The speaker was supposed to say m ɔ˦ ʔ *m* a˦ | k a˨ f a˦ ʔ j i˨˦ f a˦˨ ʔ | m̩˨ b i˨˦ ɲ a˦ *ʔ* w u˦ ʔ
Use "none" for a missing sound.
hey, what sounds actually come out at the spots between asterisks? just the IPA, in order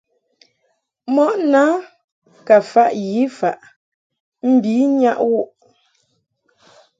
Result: n, ʔ

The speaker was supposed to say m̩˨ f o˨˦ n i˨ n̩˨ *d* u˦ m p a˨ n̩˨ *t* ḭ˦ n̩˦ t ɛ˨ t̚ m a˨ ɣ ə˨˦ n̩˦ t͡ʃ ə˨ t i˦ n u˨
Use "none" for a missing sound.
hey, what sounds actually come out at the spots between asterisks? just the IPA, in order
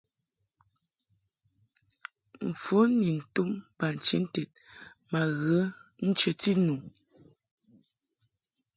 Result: t, t͡ʃ

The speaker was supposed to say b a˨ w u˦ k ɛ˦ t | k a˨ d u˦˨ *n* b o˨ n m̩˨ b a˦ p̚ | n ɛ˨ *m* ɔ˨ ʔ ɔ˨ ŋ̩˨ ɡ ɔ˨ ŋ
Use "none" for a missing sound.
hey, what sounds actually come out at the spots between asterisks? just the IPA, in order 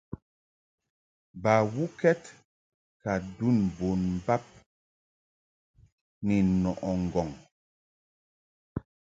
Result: n, n

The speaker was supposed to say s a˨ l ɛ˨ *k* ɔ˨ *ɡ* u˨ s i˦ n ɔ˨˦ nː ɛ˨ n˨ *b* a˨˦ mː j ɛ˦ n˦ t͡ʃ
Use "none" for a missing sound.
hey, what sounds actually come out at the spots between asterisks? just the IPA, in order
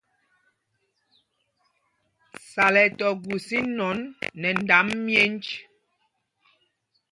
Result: t, ɡ, d

